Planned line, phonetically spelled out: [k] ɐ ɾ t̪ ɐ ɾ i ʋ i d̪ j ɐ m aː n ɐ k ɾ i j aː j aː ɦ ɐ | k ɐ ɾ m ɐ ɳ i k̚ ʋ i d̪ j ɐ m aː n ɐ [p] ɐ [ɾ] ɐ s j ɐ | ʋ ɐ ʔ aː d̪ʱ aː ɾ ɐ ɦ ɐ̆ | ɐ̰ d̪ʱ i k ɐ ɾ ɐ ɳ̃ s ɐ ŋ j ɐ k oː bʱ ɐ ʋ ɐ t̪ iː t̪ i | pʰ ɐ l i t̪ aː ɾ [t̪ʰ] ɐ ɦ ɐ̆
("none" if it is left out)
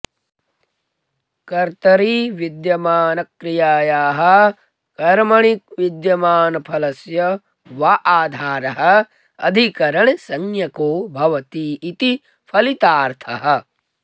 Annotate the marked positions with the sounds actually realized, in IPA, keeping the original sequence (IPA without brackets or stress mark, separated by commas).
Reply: k, pʰ, l, t̪ʰ